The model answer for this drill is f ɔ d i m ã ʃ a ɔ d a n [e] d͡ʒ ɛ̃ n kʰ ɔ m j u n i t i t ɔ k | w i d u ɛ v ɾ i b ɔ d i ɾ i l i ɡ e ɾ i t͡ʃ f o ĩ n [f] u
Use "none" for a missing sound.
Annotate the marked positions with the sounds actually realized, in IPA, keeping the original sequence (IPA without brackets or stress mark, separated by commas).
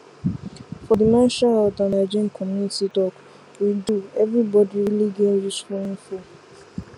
a, f